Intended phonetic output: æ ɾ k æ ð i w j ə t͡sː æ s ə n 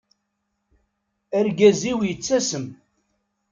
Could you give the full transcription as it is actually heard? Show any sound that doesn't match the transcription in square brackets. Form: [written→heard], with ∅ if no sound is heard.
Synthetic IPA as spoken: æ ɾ [k→ɡ] æ [ð→z] i w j ə t͡sː æ s ə [n→m]